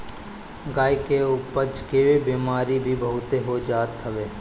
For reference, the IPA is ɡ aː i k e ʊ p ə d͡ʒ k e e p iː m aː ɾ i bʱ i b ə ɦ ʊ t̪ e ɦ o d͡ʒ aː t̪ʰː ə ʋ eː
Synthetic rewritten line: ɡ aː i k e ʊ p ə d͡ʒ k e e b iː m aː ɾ i bʱ i b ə ɦ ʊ t̪ e ɦ o d͡ʒ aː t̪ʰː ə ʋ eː